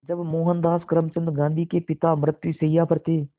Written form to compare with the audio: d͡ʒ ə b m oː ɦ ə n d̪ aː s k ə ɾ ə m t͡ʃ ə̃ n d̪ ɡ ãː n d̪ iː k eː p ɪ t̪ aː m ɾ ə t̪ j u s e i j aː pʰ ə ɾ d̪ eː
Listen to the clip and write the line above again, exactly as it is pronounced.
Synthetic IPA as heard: d͡ʒ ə b m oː ɦ ə n d̪ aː s k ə ɾ ə m t͡ʃ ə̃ n d̪ ɡ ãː n d̪ iː k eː p ɪ t̪ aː m ɾ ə t̪ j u s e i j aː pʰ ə ɾ t̪ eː